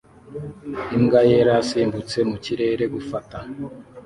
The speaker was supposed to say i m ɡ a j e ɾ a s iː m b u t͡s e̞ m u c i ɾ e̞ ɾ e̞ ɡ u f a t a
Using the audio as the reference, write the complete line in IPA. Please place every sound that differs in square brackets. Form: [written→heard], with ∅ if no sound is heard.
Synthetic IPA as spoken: i m ɡ a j e ɾ a s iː m b u t͡s e̞ m u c i ɾ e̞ ɾ e̞ ɡ u f a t a